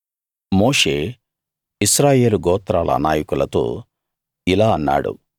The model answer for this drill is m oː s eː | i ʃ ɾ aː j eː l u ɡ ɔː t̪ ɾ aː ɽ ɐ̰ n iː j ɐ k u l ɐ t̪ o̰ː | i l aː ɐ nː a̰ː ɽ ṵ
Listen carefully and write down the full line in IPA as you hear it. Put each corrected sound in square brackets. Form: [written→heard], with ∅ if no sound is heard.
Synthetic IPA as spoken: m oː [s→ʂ] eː | i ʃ ɾ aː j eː l u ɡ ɔː t̪ ɾ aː [ɽ→l] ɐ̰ n [iː→aː] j ɐ k u l ɐ t̪ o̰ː | i l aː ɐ nː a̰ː ɽ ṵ